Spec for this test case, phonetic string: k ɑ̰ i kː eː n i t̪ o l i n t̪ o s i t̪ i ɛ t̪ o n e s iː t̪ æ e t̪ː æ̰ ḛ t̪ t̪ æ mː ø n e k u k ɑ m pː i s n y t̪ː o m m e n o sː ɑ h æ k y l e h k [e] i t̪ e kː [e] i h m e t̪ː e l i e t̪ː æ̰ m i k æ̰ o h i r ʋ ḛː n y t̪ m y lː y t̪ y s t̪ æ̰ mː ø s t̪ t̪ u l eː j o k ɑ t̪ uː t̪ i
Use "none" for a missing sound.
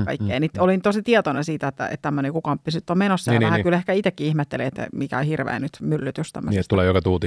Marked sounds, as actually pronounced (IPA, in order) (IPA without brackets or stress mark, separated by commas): æ, i